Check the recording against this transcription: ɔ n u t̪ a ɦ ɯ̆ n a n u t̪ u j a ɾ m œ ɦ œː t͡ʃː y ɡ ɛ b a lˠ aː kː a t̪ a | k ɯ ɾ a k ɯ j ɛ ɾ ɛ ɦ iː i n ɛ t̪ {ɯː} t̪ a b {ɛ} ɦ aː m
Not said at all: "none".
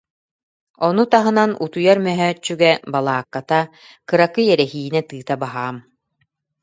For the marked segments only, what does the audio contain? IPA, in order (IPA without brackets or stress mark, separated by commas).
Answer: ɯː, a